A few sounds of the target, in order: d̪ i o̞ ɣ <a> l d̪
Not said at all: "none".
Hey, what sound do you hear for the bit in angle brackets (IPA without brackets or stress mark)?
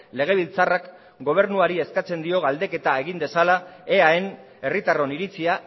a